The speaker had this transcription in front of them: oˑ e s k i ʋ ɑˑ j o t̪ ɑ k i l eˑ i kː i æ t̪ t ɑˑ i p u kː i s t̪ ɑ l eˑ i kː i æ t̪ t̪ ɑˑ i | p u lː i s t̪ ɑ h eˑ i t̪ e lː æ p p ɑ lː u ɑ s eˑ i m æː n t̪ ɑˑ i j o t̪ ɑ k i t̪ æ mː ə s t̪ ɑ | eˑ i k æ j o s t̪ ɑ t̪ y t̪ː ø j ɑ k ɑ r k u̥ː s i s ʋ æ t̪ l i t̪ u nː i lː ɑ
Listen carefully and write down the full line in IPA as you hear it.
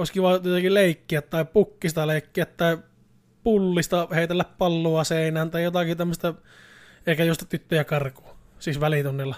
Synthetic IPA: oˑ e s k i ʋ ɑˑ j o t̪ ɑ k i l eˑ i kː i æ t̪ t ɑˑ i p u kː i s t̪ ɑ l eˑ i kː i æ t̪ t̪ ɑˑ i | p u lː i s t̪ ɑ h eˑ i t̪ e lː æ p p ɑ lː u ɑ s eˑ i n æː n t̪ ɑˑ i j o t̪ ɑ k i t̪ æ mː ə s t̪ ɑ | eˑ i k æ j o s t̪ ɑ t̪ y t̪ː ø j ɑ k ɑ r k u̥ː s i s ʋ æ l i t̪ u nː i lː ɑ